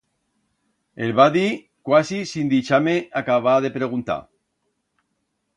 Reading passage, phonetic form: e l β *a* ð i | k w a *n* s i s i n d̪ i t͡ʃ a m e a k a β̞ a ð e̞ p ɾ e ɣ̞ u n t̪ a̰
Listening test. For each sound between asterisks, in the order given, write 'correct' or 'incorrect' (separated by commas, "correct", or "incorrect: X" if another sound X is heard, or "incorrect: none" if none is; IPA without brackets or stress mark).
correct, incorrect: none